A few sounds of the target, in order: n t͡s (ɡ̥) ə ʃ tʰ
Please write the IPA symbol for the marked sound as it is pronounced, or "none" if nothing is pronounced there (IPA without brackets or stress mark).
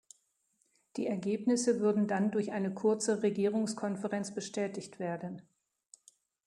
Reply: b̥